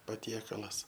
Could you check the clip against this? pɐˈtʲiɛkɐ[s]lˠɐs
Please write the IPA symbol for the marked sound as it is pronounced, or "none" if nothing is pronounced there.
none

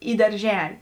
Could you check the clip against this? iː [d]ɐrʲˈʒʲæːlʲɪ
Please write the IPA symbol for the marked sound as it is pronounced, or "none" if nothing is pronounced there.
d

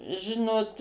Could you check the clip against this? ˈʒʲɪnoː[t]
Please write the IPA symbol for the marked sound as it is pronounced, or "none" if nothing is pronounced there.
t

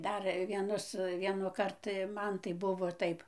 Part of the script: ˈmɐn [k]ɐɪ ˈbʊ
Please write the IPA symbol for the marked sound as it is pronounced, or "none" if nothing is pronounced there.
t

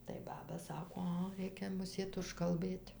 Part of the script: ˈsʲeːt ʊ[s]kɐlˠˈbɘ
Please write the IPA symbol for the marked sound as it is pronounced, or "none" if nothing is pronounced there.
ʃ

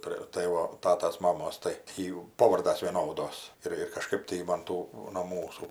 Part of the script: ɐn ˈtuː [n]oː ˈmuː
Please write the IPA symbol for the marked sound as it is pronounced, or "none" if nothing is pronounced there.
n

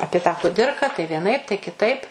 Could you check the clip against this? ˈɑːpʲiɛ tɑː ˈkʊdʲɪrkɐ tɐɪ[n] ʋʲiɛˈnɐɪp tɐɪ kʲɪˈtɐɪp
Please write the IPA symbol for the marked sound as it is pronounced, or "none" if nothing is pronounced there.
none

